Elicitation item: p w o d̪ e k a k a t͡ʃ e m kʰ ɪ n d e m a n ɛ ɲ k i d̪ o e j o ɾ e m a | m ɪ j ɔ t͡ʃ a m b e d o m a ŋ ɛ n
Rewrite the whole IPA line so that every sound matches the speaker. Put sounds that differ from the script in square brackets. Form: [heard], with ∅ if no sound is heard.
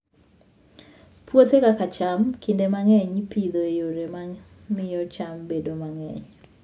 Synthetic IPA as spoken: p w o [t̪] e k a k a t͡ʃ [a] m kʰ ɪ n d e m a [ŋ] ɛ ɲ [p] i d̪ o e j o ɾ e m a | m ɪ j ɔ t͡ʃ a m b e d o m a ŋ ɛ [ɲ]